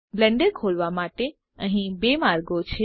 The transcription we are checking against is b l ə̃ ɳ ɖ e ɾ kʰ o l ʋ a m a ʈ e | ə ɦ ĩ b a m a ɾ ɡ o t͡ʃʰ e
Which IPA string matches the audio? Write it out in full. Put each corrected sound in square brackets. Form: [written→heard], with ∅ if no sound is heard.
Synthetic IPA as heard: b l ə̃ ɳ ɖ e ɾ kʰ o l ʋ a m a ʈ e | ə ɦ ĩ b [a→e] m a ɾ ɡ o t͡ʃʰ e

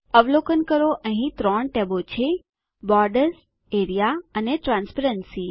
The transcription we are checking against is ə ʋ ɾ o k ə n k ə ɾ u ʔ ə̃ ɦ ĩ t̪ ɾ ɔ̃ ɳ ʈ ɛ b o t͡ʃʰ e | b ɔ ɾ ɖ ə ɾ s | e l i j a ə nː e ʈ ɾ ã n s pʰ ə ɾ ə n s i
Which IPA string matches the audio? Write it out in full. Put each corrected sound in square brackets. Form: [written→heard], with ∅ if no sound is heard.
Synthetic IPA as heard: ə ʋ [ɾ→l] o k ə n k ə ɾ [u→o] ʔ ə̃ ɦ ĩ t̪ ɾ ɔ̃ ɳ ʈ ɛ b o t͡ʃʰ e | b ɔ ɾ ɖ ə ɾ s | e [l→ɾ] i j a ə [nː→n] e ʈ ɾ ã n s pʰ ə ɾ ə n s i

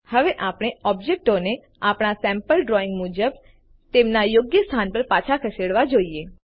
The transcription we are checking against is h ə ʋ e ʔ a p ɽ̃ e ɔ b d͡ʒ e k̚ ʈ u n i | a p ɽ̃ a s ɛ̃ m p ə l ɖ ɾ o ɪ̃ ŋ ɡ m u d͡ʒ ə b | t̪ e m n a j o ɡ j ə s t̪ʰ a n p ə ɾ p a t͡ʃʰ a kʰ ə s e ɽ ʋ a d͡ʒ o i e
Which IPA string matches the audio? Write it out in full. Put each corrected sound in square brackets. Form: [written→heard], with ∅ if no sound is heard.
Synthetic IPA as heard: h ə ʋ e ʔ a p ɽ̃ e ɔ b d͡ʒ e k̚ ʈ [u→o] n [i→e] | a p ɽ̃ a s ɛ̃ m p ə l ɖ ɾ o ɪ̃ ŋ ɡ m u d͡ʒ ə b | t̪ e m n a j o ɡ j ə s t̪ʰ a n p ə ɾ p a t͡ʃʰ a kʰ ə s e ɽ ʋ a d͡ʒ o i e

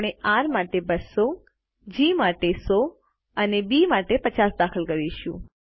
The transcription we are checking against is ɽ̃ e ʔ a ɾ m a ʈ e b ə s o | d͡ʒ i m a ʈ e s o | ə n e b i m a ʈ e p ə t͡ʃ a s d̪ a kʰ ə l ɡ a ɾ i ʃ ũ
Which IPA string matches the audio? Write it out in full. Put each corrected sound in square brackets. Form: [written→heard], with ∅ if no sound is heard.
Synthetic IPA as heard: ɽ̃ e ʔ a ɾ m a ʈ e b ə s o | d͡ʒ i m a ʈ e s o | ə n e b i m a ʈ e p ə t͡ʃ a s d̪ a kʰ ə l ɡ [a→ə] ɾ i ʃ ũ

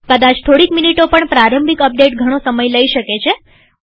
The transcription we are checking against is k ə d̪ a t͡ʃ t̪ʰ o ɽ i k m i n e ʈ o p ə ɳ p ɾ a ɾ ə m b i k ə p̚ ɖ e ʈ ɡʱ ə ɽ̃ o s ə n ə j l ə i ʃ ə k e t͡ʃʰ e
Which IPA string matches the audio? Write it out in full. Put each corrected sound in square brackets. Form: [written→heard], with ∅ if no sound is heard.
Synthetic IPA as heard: k ə d̪ a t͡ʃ t̪ʰ o ɽ i k m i n [e→i] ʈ o p ə ɳ p ɾ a ɾ ə m b i k ə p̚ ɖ e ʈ ɡʱ ə ɽ̃ o s ə [n→m] ə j l ə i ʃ ə k e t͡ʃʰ e

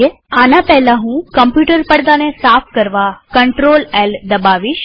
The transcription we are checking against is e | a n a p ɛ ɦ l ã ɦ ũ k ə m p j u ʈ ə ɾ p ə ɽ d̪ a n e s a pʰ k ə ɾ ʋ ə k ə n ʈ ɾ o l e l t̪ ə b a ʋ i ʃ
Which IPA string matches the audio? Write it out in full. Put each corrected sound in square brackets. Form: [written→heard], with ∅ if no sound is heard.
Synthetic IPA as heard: e | a n a p ɛ ɦ l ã ɦ ũ k ə m p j u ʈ ə ɾ p ə ɽ d̪ a n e s a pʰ k ə ɾ ʋ [ə→a] k ə [n→ɳ] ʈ ɾ o l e l [t̪→d̪] ə b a ʋ i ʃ

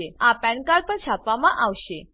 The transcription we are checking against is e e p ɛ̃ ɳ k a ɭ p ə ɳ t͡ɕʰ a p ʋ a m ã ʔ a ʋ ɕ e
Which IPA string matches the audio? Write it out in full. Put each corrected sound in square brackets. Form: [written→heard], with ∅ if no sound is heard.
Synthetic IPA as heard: e [e→a] p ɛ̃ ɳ k a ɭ p ə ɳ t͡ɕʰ a p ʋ a m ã ʔ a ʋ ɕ e

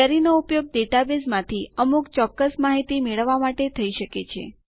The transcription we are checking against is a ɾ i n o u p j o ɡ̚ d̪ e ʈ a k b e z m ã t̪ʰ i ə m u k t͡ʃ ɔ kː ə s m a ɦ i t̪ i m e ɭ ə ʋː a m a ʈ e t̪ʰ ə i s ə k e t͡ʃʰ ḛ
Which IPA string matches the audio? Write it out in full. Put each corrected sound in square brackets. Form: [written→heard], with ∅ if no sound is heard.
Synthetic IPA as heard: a ɾ i n o u p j o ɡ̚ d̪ e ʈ a [k→∅] b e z m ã t̪ʰ i ə m u k t͡ʃ ɔ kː ə s m a ɦ i t̪ i m e ɭ ə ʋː a m a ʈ e t̪ʰ ə i [s→ʃ] ə k e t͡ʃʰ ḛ

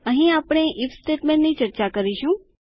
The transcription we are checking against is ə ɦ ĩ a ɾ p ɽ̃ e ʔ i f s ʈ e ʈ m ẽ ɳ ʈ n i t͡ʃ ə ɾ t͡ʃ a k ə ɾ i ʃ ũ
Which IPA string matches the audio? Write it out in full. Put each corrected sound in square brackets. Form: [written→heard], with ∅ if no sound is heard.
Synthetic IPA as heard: ə ɦ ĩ a [ɾ→∅] p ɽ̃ e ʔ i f s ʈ e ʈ m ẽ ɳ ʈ n i t͡ʃ ə ɾ t͡ʃ a k ə ɾ i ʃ ũ

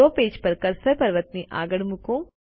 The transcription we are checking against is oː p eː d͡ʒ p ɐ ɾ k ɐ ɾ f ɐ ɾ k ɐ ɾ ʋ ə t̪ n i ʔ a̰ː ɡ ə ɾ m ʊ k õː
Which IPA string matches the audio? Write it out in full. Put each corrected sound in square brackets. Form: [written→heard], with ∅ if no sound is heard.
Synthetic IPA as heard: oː p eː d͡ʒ p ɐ ɾ k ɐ ɾ [f→s] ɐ ɾ [k→p] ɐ ɾ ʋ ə t̪ n i ʔ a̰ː ɡ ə [ɾ→ɽ] m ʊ k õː

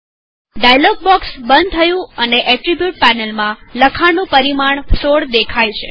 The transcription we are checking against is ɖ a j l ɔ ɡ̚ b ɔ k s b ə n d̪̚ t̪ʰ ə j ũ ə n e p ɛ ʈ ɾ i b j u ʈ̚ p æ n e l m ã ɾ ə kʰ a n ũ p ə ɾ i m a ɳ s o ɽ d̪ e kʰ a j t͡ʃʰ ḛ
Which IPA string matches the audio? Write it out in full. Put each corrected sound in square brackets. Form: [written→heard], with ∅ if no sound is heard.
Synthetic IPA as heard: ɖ a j l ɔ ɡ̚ b ɔ k s b ə n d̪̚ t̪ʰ ə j ũ ə n e [p→ʔ] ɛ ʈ ɾ i b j u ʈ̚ p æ n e l m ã [ɾ→l] ə kʰ a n ũ p ə ɾ i m a ɳ s o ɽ d̪ e kʰ a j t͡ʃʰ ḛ

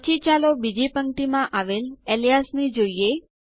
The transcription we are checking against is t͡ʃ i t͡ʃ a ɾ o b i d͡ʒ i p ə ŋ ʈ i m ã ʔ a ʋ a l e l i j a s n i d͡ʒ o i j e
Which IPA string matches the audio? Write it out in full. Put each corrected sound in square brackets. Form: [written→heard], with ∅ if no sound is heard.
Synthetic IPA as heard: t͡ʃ i t͡ʃ a [ɾ→l] o b i d͡ʒ i p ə ŋ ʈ i m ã ʔ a ʋ [a→e] l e l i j a s n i d͡ʒ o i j e

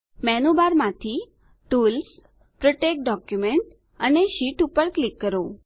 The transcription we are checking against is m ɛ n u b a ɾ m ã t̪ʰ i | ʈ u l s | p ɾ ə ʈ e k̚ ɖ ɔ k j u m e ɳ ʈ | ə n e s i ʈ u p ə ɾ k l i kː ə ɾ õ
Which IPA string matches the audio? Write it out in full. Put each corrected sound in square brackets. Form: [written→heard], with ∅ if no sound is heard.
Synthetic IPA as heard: m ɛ n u b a ɾ m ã t̪ʰ i | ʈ u l s | p ɾ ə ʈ e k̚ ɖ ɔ k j u m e ɳ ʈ | ə n e [s→ʃ] i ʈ u p ə ɾ k l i kː ə ɾ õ

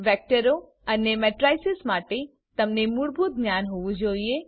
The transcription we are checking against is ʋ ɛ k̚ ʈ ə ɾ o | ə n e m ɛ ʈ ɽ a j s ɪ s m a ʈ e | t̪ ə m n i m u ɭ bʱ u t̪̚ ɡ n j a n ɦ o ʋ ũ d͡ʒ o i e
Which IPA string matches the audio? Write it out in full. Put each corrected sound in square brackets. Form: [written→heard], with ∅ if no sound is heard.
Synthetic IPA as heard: ʋ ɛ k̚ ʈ ə ɾ o | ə n e m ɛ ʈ [ɽ→ɾ] a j s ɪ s m a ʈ e | t̪ ə m n [i→e] m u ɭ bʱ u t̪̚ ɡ n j a n ɦ o ʋ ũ d͡ʒ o i e

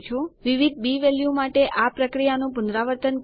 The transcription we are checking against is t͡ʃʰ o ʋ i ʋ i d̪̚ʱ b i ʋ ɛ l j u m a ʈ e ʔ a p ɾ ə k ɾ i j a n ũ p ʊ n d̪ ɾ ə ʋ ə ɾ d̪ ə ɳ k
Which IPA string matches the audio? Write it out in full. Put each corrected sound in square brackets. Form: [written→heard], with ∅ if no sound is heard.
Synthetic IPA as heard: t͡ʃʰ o ʋ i ʋ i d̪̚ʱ b i ʋ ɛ l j u m a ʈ e ʔ a p ɾ ə k ɾ i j a n ũ p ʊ n d̪ ɾ [ə→a] ʋ ə ɾ [d̪→t̪] ə [ɳ→n] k

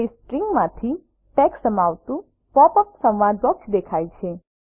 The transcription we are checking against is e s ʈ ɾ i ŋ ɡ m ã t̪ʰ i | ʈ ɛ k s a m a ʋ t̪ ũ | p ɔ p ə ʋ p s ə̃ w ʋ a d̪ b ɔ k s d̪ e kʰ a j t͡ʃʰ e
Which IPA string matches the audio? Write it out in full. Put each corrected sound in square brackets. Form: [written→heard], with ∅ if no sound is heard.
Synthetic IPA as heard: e s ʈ ɾ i ŋ ɡ m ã t̪ʰ i | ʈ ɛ k s [a→ə] m a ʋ t̪ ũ | p ɔ p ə [ʋ→∅] p s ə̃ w ʋ a d̪ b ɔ k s d̪ e kʰ a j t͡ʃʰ e

